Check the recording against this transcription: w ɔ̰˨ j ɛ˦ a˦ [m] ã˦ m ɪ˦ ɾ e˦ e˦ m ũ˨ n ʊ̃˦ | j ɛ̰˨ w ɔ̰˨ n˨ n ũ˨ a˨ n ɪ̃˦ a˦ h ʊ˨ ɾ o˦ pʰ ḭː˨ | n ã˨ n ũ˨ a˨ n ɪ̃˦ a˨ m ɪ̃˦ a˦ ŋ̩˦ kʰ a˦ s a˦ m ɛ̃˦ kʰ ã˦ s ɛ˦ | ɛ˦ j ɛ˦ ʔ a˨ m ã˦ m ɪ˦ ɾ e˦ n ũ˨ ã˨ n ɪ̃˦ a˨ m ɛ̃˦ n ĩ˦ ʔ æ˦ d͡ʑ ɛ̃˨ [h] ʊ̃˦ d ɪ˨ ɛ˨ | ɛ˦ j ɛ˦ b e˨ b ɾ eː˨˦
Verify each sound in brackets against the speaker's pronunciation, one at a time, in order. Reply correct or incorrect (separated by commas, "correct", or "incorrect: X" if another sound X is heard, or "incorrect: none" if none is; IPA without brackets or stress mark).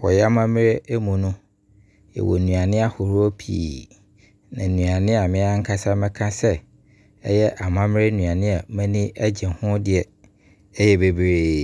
correct, correct